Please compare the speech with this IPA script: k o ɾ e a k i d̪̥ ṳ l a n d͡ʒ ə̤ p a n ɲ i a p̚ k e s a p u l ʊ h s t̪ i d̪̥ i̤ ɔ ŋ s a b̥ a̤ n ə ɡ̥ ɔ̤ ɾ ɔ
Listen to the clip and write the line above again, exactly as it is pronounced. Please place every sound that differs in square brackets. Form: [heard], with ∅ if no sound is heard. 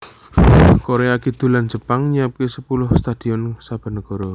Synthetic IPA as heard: k o ɾ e a k i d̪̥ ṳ l a n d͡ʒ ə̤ p a [ŋ] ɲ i a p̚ k e s [ə] p u l ʊ h s t̪ [a] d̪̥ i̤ ɔ [n] s a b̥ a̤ n ə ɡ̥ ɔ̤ ɾ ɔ